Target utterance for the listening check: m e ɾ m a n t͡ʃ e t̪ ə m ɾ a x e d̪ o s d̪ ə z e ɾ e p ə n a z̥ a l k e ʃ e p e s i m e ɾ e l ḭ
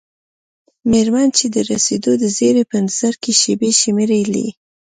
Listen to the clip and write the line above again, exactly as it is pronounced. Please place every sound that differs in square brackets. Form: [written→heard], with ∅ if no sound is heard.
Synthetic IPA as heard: m e ɾ m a n t͡ʃ e [t̪→d̪] ə [m→∅] ɾ a [x→s] e d̪ o [s→∅] d̪ ə z e ɾ e p ə n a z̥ a [l→ɾ] k e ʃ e [p→b] e [s→ʃ] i m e ɾ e l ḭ